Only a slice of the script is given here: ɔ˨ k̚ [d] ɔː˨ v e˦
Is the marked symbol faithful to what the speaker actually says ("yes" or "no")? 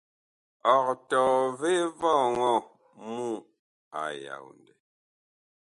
no